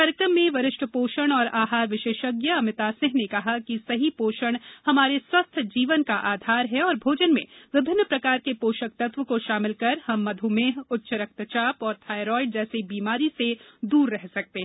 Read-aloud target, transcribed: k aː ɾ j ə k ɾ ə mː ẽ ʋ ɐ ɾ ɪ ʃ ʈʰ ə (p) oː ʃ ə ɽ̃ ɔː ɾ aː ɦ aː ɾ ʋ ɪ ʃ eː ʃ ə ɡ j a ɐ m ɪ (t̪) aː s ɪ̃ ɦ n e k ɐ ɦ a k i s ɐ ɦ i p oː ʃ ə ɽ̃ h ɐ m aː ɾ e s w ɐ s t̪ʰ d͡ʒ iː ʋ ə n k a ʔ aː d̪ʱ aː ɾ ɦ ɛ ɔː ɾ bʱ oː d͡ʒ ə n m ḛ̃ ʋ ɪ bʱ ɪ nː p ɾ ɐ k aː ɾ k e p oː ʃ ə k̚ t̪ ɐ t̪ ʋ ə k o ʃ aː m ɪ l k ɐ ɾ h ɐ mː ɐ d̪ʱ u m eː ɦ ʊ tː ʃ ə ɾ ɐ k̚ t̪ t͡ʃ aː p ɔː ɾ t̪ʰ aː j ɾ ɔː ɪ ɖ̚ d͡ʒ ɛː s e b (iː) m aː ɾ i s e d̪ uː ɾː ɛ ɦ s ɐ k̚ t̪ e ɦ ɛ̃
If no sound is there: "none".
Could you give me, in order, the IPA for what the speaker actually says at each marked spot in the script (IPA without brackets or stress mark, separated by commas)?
p, t̪, iː